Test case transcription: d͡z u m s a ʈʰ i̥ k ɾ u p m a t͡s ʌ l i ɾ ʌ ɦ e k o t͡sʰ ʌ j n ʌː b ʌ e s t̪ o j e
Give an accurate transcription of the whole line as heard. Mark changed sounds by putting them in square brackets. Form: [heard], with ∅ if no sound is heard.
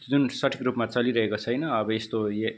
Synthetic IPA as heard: d͡z u [n] s [ʌ] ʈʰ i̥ k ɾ u p m a t͡s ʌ l i ɾ ʌ ɦ e k o t͡sʰ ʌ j n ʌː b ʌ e s t̪ o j e